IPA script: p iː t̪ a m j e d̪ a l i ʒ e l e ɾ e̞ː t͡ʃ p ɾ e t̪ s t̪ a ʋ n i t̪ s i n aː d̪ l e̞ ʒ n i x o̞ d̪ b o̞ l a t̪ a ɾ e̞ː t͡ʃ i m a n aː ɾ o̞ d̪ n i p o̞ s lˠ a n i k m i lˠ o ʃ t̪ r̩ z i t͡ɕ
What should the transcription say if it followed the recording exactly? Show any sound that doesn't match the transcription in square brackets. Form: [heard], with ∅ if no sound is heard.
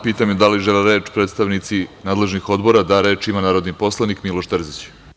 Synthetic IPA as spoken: p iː t̪ a m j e d̪ a l i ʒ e l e ɾ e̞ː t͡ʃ p ɾ e t̪ s t̪ a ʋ n i t̪ s i n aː d̪ l e̞ ʒ n i x o̞ d̪ b o̞ [ɾ] a [d̪] a ɾ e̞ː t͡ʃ i m a n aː ɾ o̞ d̪ n i p o̞ s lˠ a n i k m i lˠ o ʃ t̪ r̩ z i t͡ɕ